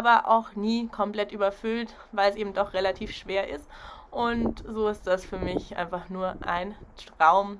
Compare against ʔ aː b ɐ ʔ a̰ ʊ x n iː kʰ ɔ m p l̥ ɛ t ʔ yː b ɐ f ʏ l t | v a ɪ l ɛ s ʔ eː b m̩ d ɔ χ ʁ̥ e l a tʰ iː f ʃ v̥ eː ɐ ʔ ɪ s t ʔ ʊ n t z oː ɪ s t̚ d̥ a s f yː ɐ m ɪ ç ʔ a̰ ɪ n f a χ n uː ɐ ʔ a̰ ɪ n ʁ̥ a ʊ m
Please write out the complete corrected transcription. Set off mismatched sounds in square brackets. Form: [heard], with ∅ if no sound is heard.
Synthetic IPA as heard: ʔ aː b ɐ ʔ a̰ ʊ x n iː kʰ ɔ m p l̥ ɛ t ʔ yː b ɐ f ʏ l t | v a ɪ l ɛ s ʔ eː b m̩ d ɔ χ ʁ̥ e l a tʰ iː f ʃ v̥ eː ɐ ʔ ɪ s t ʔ ʊ n t z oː ɪ s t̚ d̥ a s f yː ɐ m ɪ ç ʔ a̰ ɪ n f a χ n uː ɐ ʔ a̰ ɪ n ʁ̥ a ʊ m